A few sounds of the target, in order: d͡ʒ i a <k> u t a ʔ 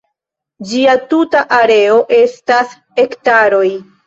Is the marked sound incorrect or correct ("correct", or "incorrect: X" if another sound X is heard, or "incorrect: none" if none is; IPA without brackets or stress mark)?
incorrect: t